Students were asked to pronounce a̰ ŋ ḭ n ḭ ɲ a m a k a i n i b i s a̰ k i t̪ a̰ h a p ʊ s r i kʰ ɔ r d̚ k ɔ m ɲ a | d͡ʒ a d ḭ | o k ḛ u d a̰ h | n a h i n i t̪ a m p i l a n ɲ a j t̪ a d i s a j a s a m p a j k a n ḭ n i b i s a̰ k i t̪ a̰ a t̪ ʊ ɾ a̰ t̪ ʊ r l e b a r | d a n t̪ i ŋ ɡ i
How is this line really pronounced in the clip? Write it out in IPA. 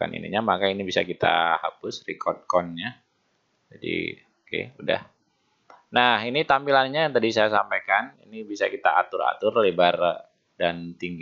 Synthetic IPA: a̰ n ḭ n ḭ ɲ a m a k a i n i b i s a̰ k i t̪ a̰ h a p ʊ s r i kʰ ɔ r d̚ k ɔ n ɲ a | d͡ʒ a d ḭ | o k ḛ u d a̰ h | n a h i n i t̪ a m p i l a n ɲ a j t̪ a d i s a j a s a m p a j k a n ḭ n i b i s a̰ k i t̪ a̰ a t̪ ʊ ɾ a̰ t̪ ʊ r l e b a r | d a n t̪ i ŋ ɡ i